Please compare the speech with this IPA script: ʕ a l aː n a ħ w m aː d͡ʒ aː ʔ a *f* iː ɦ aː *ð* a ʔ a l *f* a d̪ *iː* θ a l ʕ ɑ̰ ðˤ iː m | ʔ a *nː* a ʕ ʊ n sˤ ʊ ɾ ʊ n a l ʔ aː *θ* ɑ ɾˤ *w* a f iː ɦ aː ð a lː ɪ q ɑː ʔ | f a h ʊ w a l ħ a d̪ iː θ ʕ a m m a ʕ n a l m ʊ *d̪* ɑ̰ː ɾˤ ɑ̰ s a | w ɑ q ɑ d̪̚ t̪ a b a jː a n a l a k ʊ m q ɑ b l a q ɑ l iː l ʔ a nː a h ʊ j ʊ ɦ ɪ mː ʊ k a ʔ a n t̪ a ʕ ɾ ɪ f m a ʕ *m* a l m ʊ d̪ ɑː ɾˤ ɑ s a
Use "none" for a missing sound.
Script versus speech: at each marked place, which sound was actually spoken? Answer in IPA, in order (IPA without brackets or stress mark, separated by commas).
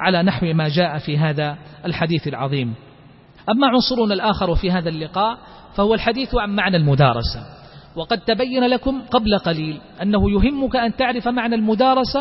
f, ð, ħ, iː, mː, x, w, d̪, n